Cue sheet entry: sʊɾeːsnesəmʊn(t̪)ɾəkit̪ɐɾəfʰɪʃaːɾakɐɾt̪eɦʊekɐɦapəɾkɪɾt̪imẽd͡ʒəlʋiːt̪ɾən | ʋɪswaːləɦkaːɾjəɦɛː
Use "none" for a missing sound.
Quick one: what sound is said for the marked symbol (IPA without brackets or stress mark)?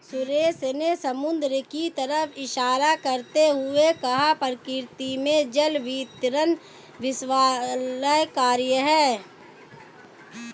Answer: d̪